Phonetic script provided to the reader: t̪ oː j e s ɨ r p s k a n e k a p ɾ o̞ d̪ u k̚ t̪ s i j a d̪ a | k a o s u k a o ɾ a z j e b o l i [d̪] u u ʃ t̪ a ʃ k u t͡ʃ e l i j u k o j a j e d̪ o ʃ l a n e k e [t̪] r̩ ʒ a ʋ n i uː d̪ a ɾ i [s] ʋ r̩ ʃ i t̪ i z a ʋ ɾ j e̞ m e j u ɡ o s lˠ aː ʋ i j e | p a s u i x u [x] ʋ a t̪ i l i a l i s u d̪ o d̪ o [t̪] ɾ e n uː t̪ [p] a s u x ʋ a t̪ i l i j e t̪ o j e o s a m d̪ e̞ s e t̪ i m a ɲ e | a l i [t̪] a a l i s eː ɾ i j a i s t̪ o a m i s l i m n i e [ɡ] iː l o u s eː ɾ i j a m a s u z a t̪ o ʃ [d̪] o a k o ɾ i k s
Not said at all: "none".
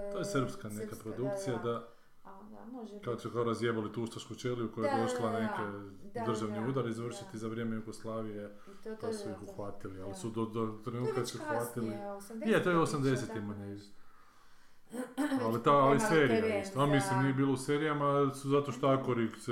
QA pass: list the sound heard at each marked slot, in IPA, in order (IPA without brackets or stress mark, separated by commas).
t̪, d̪, z, x, t̪, k, t̪, b, t̪